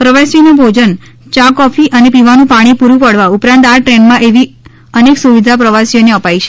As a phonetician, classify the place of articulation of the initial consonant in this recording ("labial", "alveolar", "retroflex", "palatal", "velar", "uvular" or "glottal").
labial